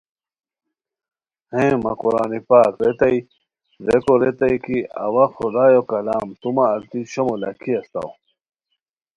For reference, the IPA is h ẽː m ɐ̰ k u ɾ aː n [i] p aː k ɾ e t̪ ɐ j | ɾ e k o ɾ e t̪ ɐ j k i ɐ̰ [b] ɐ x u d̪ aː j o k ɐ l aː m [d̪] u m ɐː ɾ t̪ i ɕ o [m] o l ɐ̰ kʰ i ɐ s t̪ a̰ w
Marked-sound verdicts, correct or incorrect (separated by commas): correct, incorrect, incorrect, correct